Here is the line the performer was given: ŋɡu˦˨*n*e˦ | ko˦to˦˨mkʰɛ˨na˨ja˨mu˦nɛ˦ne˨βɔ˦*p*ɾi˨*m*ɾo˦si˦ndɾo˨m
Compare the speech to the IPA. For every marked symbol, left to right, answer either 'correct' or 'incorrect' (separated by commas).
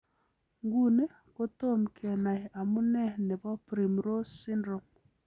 correct, correct, correct